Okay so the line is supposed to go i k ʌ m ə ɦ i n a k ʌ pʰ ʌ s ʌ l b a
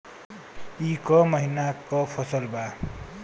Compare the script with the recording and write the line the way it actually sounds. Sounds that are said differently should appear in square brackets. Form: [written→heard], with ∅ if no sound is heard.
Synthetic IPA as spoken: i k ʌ m [ə→ʌ] ɦ i n a k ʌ pʰ ʌ s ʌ l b a